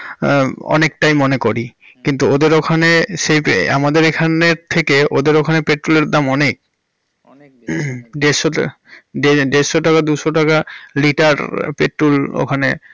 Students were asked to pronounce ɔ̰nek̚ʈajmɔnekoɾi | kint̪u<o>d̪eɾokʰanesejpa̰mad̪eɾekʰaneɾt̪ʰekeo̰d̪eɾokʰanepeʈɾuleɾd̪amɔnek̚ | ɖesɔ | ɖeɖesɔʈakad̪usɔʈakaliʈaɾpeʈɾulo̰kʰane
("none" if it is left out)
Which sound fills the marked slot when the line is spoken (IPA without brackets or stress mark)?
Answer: o